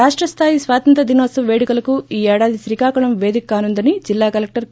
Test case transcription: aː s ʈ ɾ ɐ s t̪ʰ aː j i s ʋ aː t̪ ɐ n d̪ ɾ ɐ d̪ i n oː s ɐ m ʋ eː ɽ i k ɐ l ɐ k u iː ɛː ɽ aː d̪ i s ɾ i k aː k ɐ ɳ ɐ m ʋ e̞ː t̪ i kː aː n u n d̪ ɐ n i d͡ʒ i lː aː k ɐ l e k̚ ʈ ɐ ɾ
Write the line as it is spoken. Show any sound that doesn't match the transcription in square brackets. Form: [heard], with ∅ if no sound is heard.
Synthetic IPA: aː [ʂ] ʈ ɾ ɐ s t̪ʰ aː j i s ʋ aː t̪ ɐ n [t̪] ɾ ɐ d̪ i n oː s ɐ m ʋ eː ɽ i k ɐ l ɐ k u iː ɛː ɽ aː d̪ i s ɾ i k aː k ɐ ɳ ɐ m ʋ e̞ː [d̪] i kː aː n u n d̪ ɐ n i d͡ʒ i lː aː k ɐ l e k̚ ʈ ɐ ɾ